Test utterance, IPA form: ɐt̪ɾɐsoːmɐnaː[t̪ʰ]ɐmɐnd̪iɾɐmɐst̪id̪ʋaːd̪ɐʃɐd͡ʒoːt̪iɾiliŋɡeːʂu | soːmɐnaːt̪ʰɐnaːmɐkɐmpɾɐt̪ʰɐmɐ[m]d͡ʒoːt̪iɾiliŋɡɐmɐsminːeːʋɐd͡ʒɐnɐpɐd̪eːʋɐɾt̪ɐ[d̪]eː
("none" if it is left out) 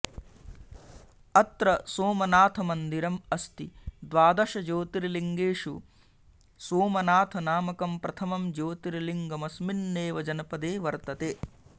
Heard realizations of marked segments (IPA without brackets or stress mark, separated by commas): t̪ʰ, m, t̪